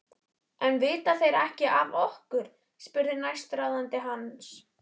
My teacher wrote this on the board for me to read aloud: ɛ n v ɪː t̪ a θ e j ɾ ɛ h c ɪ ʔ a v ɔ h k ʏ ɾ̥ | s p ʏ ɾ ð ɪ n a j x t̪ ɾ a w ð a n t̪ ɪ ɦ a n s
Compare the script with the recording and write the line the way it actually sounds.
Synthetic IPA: ɛ n v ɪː t̪ a θ e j ɾ ɛ h c ɪ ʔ a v ɔ h k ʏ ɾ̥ | s p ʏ ɾ ð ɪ n a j s t̪ ɾ a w ð a n t̪ ɪ ɦ a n s